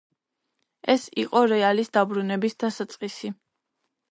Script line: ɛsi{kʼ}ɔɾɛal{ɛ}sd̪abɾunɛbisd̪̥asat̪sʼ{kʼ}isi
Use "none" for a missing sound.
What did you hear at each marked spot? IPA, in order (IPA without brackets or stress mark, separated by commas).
qʼ, i, qʼ